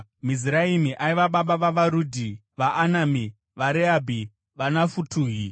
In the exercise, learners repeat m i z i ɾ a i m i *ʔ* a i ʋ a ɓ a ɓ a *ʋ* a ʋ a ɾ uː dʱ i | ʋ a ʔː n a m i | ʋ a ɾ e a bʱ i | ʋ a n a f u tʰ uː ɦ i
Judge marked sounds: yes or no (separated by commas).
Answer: yes, yes